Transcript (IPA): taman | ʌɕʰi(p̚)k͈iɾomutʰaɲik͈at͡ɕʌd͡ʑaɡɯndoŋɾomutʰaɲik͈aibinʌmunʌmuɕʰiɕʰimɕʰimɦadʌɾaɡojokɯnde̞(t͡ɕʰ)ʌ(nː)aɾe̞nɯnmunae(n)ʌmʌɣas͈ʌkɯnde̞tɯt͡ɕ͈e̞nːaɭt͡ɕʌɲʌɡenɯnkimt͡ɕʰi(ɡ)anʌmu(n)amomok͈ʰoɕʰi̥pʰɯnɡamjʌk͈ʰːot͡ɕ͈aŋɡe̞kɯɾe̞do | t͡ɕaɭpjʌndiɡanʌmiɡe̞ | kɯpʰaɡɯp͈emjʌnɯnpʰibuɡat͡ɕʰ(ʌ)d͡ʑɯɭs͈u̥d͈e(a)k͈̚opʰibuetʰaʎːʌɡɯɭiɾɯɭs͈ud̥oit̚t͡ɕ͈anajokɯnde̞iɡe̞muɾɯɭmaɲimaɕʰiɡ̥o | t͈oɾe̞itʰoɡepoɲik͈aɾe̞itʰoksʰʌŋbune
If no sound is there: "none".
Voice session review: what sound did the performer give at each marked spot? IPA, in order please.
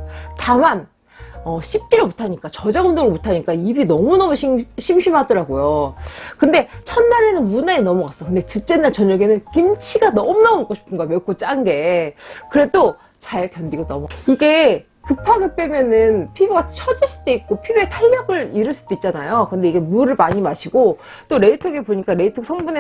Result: p̚, t͡ɕʰ, nː, n, ɡ, n, ʌ, i

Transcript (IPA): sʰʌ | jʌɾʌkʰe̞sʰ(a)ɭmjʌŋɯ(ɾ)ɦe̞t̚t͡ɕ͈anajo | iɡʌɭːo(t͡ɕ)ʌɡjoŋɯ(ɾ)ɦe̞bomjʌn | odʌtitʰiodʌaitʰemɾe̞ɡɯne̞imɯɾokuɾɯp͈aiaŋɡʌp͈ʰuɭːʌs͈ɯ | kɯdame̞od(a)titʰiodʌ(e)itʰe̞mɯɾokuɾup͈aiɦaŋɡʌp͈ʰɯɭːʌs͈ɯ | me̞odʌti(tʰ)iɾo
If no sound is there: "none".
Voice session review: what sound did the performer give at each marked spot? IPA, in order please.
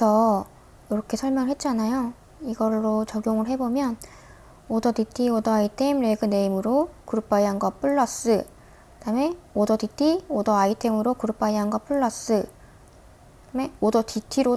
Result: ʌ, ɭ, t͡ɕ, ɭ, ʌ, a, tʰ

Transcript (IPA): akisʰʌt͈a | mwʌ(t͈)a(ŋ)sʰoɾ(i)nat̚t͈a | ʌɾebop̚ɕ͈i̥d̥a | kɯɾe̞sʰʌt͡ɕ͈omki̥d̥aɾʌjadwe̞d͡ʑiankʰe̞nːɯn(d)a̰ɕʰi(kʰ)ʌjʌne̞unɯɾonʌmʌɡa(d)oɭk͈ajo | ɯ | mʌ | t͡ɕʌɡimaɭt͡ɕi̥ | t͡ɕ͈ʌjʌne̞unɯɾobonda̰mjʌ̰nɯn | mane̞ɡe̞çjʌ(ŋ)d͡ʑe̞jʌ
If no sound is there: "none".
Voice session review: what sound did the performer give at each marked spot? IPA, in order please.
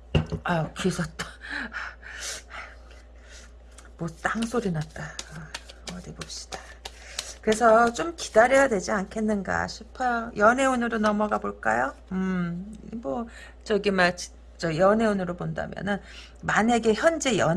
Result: t͈, ŋ, i, ɡ, pʰ, b, n

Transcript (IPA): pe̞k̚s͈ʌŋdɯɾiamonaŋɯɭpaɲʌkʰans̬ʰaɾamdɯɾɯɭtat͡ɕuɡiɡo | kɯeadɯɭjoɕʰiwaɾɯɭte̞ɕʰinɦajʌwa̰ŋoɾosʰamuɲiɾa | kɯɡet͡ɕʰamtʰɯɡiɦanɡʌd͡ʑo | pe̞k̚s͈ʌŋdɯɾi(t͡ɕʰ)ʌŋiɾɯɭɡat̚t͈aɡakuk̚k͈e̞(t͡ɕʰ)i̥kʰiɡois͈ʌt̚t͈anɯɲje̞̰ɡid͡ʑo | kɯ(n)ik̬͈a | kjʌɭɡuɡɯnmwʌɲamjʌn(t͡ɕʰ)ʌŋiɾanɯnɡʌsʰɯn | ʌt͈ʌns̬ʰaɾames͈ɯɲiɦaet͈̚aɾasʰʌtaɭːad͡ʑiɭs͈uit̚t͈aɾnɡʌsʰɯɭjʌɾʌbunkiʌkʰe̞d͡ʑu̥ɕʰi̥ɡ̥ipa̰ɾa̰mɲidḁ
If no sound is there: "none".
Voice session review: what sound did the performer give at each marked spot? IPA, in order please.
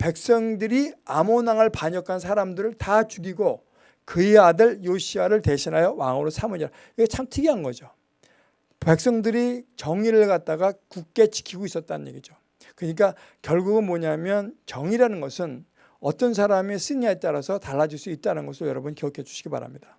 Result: t͡ɕ, t͡ɕ, ɲ, t͡ɕ

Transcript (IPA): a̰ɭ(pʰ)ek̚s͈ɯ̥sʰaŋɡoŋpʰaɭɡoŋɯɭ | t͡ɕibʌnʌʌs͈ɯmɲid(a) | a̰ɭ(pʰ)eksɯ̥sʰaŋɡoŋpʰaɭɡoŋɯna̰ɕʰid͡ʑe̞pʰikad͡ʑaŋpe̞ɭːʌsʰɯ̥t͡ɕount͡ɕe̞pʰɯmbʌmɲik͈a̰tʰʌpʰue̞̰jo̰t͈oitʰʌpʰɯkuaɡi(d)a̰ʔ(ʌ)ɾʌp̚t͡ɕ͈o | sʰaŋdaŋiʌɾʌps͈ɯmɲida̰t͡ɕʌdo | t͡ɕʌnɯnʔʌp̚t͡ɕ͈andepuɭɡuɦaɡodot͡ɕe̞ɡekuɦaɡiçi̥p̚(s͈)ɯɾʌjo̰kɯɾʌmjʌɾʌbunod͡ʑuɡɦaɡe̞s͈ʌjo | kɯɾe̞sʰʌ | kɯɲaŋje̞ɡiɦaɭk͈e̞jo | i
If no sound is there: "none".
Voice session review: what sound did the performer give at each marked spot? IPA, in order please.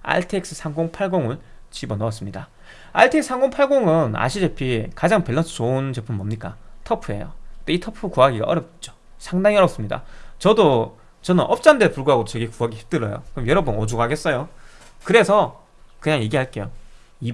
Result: tʰ, a, tʰ, ɡ, ʌ, t͈

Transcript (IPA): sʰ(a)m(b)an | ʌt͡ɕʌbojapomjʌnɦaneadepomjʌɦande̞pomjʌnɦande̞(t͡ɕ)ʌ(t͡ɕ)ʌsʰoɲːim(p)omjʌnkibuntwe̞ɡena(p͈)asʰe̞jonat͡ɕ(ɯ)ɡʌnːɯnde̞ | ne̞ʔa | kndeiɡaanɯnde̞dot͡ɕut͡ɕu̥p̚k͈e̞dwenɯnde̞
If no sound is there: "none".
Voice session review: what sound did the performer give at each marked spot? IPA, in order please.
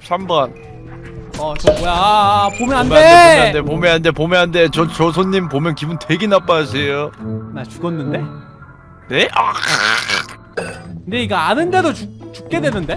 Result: a, b, t͡ɕ, t͡ɕ, p, p͈, u

